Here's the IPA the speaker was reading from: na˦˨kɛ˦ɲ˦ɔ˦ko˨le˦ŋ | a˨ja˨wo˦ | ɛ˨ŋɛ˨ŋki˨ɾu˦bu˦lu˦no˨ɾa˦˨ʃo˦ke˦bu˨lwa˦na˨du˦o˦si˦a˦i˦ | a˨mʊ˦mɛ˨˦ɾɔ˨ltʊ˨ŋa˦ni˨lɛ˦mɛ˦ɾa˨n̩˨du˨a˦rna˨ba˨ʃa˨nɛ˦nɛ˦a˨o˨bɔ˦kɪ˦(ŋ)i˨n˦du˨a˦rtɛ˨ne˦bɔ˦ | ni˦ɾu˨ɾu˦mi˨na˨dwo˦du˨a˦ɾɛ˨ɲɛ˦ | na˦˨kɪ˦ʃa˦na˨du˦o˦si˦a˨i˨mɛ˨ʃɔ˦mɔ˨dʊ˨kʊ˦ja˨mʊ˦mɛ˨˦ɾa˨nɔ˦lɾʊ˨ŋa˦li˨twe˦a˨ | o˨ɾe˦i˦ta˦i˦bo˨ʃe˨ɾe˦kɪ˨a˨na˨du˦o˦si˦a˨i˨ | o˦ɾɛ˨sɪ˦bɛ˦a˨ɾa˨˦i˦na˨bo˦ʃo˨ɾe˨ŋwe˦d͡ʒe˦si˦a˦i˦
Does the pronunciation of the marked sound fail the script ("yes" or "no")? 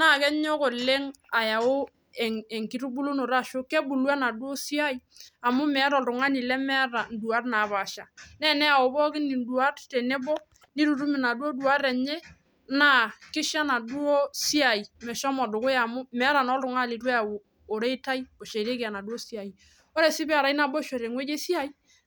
yes